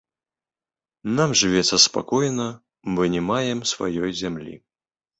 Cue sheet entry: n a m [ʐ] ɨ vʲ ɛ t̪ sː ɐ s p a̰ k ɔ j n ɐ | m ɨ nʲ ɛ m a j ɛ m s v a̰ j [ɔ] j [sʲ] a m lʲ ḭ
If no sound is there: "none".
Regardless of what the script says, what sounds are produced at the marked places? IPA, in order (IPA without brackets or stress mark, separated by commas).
ʐ, ɔ, zʲ